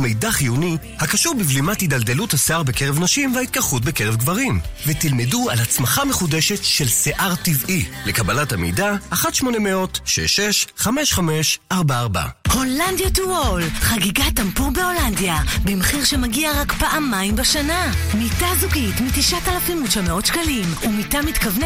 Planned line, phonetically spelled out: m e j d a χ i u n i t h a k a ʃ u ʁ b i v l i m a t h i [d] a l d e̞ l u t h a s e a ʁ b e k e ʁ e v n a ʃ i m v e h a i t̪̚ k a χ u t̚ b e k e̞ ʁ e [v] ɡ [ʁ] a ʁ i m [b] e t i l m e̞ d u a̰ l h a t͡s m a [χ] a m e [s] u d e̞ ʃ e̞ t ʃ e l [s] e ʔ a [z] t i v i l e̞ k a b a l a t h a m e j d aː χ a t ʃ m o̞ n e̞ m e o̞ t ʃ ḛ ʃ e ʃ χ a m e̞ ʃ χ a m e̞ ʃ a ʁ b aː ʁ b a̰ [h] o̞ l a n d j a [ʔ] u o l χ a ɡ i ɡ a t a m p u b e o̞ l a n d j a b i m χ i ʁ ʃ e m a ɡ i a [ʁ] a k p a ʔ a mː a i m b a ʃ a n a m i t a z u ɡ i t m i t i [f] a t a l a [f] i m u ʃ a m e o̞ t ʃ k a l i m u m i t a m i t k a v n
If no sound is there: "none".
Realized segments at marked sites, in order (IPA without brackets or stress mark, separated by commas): d, v, v, v, χ, χ, s, ʁ, h, t, ʁ, ʃ, f